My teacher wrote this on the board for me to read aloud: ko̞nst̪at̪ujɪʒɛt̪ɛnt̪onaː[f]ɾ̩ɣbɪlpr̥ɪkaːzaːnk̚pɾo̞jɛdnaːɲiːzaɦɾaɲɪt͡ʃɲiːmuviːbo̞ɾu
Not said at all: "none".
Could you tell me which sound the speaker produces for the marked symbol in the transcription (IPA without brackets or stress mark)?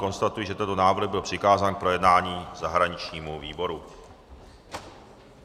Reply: v